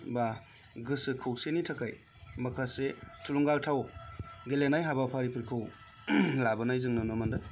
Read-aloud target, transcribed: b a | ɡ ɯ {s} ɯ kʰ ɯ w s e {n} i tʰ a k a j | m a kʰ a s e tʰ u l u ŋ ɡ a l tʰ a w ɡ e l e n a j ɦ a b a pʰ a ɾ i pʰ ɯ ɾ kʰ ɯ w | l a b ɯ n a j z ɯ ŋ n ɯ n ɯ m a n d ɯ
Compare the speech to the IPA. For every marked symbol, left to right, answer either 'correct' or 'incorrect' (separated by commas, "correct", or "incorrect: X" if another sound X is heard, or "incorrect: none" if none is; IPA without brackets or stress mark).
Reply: correct, correct